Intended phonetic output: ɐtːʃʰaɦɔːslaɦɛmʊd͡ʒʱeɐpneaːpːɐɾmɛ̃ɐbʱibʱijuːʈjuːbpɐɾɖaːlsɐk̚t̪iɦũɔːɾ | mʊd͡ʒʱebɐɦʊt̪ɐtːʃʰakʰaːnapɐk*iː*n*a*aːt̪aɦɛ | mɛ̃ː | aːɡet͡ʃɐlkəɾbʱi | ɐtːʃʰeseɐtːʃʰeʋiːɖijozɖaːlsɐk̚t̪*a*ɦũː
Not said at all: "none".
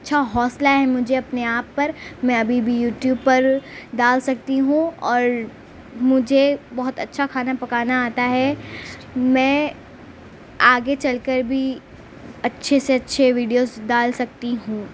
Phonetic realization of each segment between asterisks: aː, a, i

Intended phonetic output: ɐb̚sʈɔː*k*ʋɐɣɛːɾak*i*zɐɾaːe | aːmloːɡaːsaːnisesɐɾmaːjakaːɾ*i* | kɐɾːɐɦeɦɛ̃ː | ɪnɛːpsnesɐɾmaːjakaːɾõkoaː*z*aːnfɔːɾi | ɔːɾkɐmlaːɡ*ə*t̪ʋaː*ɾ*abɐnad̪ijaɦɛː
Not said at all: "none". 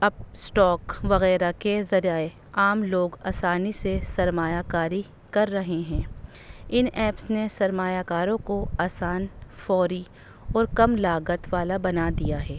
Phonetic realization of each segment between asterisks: k, e, i, s, ə, l

